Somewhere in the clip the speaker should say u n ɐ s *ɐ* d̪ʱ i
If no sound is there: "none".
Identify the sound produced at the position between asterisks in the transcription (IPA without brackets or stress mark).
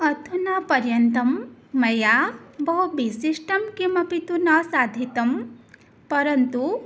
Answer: a